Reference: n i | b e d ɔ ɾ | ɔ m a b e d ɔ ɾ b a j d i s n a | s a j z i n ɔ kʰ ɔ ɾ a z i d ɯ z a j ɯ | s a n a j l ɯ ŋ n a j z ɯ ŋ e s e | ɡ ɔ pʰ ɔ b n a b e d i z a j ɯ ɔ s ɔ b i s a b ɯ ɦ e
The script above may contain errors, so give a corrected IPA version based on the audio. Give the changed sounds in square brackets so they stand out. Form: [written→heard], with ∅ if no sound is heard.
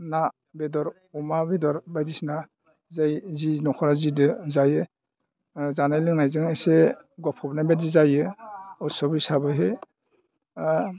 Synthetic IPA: n [i→a] | b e d ɔ ɾ | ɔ m a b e d ɔ ɾ b a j d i s n a | [s→z] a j z i n ɔ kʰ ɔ ɾ a z i d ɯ z a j ɯ | [s→z] a n a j l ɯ ŋ n a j z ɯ ŋ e s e | ɡ ɔ pʰ ɔ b n a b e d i z a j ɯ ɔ s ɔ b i s a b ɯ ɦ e